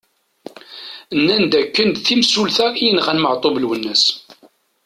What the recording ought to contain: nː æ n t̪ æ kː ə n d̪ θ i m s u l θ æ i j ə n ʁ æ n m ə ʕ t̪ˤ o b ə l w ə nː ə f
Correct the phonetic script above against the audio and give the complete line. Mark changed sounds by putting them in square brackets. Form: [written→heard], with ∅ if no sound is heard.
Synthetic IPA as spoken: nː æ n [t̪→d̪] æ kː ə n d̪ θ i m s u l θ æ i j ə n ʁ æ n m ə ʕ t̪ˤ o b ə l w ə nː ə [f→s]